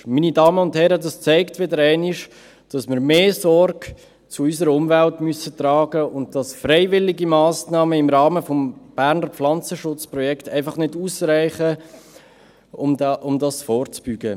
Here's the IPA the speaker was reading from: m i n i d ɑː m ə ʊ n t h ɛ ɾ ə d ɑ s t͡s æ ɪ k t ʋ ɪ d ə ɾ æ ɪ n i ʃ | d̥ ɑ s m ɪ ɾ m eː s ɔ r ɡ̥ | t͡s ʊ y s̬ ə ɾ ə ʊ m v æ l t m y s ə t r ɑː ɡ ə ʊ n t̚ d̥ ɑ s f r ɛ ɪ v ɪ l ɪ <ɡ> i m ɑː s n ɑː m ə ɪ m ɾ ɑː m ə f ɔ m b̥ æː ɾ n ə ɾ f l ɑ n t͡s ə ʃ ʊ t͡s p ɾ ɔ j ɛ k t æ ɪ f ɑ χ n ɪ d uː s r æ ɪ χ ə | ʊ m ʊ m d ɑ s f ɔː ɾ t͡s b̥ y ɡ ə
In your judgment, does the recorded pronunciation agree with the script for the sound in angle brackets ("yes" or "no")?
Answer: yes